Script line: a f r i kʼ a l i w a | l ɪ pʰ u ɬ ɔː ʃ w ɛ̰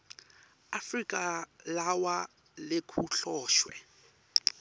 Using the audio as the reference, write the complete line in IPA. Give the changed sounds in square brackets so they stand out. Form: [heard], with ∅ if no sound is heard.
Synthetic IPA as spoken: a f r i kʼ a l [a] w a | l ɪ [kʰ] u ɬ ɔː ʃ w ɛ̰